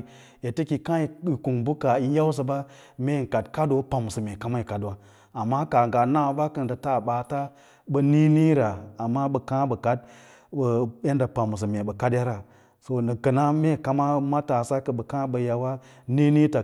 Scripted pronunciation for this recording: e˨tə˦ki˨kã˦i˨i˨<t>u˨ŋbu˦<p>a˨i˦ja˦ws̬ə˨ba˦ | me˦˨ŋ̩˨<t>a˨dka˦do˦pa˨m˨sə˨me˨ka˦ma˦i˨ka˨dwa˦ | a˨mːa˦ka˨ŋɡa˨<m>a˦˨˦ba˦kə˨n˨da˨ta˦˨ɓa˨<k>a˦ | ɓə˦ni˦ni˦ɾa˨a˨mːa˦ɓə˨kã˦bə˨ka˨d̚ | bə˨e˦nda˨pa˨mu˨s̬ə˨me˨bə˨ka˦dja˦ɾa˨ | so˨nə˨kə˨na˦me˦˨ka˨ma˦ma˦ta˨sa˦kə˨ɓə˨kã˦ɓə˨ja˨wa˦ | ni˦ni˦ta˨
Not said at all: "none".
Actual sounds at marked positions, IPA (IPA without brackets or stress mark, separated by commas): k, k, k, n, t